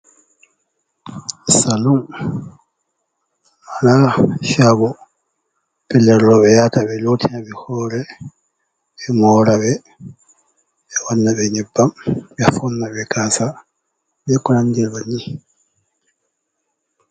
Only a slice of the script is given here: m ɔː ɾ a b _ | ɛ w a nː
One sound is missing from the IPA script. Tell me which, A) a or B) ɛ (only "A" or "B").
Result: B